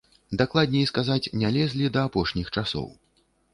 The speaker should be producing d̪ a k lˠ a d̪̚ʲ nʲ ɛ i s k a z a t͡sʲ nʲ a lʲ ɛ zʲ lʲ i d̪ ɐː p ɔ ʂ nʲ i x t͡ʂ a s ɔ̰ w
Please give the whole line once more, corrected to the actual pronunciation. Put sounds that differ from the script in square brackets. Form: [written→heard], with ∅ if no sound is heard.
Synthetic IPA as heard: d̪ a k lˠ a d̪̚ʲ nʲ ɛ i s k a z a t͡sʲ nʲ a lʲ ɛ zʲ lʲ i d̪ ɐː p ɔ ʂ nʲ i x t͡ʂ a s ɔ̰ w